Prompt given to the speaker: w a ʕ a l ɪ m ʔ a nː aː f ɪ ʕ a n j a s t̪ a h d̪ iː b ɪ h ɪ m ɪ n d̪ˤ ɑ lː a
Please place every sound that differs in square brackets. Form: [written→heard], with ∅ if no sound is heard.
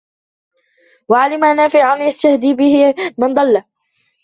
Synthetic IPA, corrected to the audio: w a ʕ a l ɪ m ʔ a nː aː f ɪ ʕ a n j a s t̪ a h d̪ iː b ɪ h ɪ m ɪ n d̪ˤ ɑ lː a